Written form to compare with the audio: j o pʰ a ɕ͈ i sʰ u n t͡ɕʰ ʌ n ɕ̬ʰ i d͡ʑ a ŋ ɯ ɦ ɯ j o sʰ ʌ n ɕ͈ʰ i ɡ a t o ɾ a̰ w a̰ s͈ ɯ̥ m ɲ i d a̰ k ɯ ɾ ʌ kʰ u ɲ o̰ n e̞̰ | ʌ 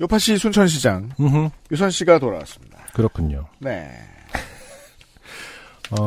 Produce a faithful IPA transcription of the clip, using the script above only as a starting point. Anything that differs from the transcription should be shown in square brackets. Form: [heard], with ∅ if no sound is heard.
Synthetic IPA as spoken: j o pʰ a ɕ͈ i sʰ u n t͡ɕʰ ʌ n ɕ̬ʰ i d͡ʑ a ŋ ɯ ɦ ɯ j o sʰ ʌ n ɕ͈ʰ i ɡ a t o ɾ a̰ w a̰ s͈ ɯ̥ m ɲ i d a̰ k ɯ ɾ ʌ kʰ u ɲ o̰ n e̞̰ | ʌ